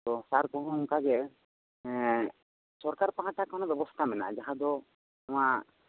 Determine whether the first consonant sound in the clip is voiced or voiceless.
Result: voiceless